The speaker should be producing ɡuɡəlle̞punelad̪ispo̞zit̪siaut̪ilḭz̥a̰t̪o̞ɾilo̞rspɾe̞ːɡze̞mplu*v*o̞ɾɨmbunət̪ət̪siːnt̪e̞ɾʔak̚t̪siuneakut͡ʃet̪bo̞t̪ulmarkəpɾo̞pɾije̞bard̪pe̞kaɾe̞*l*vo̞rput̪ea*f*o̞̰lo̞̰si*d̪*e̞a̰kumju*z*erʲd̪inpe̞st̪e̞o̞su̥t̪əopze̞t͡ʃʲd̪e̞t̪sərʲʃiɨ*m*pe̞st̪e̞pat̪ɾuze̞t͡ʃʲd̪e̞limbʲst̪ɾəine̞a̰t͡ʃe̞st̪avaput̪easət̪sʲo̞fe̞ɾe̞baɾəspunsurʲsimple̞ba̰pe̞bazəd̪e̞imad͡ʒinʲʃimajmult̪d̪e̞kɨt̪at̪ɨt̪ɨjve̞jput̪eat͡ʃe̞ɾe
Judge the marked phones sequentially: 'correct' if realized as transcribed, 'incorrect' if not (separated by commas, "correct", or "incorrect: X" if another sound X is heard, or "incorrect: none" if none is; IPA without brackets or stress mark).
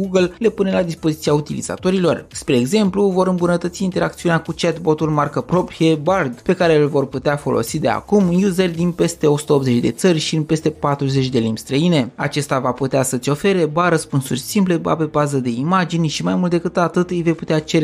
correct, correct, correct, correct, correct, incorrect: n